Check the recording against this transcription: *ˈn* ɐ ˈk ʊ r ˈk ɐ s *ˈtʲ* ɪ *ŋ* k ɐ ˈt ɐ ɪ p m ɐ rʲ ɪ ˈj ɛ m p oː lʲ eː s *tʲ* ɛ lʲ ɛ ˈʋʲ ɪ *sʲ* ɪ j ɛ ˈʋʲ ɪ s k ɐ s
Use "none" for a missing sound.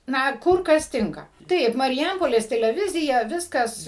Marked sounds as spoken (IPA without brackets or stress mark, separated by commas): n, tʲ, ŋ, tʲ, zʲ